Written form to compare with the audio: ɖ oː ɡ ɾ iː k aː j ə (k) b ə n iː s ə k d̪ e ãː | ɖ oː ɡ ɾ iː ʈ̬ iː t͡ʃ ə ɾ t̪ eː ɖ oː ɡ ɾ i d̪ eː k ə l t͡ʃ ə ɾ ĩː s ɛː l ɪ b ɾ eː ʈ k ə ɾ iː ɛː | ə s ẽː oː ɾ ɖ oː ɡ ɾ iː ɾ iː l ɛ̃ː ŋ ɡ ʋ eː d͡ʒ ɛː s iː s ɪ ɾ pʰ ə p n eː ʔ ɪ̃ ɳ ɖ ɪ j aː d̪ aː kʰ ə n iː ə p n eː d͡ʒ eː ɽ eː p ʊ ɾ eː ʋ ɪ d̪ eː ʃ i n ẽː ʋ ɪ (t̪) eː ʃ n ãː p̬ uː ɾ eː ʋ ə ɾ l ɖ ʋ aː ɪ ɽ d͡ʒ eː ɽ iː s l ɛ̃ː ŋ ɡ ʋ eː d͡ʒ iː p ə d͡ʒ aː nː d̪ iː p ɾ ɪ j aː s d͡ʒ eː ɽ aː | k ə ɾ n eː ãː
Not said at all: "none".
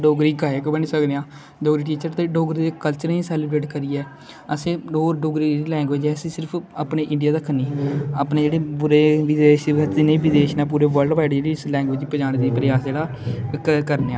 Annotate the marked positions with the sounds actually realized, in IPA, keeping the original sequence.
k, d̪

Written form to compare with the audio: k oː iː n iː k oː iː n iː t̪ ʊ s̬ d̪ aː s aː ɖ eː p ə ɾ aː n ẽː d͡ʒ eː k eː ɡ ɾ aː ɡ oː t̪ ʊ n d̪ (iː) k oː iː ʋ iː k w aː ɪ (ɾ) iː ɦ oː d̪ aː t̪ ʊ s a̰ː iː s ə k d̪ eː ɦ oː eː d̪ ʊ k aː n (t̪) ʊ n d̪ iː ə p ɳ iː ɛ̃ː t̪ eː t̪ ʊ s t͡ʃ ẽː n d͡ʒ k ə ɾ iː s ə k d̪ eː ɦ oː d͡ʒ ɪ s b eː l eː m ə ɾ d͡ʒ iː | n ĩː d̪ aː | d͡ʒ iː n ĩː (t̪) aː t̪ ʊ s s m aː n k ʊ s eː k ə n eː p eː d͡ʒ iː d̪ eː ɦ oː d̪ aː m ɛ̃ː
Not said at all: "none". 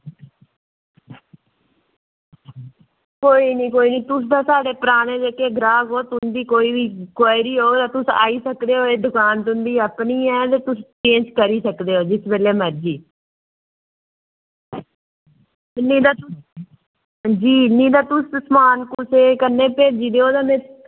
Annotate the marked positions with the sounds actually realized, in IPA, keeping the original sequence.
iː, ɾ, t̪, d̪

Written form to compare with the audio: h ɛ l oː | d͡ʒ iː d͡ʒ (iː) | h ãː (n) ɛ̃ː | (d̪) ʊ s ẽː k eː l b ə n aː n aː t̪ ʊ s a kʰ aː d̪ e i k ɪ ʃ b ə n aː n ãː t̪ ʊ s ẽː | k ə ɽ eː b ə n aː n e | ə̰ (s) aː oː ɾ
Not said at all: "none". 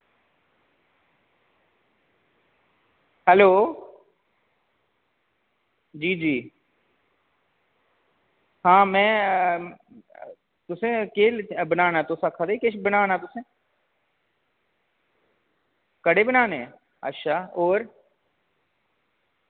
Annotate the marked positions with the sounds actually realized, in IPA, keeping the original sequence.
iː, m, t̪, ʃ

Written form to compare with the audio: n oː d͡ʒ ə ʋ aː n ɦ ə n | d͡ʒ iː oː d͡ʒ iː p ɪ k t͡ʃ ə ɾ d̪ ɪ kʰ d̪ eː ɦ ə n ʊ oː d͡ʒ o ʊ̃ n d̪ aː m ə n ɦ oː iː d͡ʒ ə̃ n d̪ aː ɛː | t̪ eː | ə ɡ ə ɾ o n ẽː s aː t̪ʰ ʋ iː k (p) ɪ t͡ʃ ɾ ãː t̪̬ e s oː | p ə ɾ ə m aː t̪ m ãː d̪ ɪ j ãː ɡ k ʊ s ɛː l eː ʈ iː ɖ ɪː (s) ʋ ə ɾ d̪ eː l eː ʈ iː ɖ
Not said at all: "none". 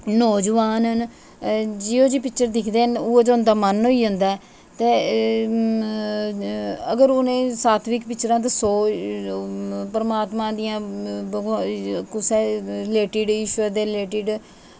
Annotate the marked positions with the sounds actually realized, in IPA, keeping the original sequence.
p, ʃ

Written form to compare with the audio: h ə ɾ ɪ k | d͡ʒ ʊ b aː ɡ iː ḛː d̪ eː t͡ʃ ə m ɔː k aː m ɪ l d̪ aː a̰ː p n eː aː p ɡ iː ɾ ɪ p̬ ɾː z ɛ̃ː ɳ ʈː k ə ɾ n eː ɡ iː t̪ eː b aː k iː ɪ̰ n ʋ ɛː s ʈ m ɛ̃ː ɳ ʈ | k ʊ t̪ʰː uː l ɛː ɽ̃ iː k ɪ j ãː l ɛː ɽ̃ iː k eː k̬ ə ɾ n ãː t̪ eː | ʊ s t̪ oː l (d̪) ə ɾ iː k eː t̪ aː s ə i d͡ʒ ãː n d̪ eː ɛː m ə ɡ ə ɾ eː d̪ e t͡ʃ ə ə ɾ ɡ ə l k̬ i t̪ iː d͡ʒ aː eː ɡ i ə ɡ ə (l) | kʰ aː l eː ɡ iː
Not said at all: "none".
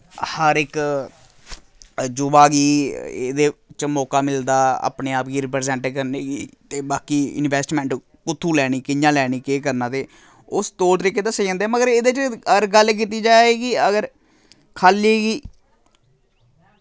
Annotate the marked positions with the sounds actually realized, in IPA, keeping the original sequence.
t̪, ɾ

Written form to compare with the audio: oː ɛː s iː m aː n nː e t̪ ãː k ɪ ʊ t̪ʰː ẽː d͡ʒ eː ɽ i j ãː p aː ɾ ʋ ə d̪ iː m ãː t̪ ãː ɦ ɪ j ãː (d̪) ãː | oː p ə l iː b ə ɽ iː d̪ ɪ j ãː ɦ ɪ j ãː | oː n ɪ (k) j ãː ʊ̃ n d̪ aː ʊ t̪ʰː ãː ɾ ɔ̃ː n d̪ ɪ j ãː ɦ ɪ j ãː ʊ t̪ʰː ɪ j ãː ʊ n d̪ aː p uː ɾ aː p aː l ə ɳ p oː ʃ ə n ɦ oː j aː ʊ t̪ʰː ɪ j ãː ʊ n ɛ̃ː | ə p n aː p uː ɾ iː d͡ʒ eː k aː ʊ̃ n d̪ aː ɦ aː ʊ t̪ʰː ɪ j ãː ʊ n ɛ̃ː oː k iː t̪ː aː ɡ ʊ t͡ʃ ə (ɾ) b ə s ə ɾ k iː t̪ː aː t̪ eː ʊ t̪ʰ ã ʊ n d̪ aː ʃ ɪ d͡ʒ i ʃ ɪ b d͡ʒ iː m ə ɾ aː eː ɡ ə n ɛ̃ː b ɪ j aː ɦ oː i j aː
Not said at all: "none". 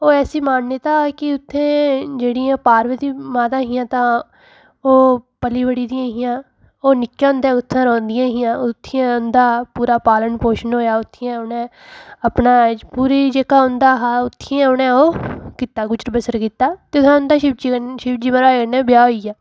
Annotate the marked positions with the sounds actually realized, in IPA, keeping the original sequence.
t̪, k, ɾ

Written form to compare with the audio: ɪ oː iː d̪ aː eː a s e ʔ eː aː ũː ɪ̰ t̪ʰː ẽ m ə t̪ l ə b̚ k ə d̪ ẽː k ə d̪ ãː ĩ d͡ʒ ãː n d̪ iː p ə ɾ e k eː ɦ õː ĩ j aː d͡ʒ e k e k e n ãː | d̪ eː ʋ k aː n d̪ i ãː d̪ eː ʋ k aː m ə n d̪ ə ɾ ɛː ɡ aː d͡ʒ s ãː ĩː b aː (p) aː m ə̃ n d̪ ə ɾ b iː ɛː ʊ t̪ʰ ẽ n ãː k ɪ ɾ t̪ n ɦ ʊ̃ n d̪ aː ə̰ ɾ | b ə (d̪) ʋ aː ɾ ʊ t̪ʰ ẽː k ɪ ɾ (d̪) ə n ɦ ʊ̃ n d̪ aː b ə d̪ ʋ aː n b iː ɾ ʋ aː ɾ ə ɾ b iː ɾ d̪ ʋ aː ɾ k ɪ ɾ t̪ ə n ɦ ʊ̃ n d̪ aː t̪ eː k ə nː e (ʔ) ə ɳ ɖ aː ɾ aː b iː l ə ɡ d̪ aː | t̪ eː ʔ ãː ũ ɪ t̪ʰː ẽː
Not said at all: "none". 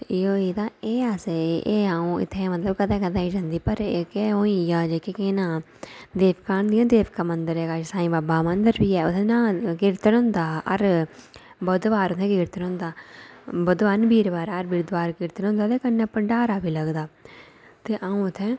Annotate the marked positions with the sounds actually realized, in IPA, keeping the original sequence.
b, d̪, t̪, p

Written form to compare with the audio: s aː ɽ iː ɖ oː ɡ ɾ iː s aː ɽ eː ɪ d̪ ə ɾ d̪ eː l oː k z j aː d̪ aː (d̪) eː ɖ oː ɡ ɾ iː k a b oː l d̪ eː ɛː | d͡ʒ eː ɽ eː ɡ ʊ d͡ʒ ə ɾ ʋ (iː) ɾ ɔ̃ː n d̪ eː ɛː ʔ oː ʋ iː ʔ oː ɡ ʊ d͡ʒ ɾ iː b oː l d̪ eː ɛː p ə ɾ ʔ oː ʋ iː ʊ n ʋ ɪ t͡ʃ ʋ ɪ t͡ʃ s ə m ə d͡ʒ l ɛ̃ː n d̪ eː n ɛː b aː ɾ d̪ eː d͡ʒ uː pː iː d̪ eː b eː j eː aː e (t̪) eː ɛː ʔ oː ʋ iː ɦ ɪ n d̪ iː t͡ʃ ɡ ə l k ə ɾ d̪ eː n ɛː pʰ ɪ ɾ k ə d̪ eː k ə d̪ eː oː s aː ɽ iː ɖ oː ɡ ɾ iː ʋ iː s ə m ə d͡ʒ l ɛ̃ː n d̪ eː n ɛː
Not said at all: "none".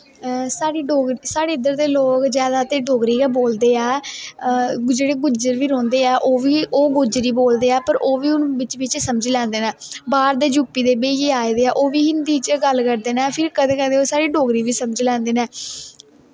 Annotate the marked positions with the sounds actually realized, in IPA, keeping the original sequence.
t̪, iː, d̪

